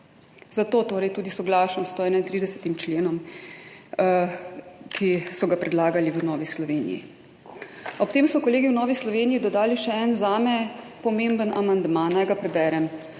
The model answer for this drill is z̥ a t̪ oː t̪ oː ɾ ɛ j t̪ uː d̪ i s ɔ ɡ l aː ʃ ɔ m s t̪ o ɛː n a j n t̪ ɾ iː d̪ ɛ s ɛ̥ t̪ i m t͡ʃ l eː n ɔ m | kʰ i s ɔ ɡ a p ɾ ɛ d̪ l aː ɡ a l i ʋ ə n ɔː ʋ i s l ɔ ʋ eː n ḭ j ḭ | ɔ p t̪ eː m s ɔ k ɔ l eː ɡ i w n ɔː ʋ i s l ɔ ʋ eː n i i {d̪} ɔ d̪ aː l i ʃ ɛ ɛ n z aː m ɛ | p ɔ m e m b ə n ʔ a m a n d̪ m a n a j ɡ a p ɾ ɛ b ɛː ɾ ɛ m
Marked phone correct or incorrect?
correct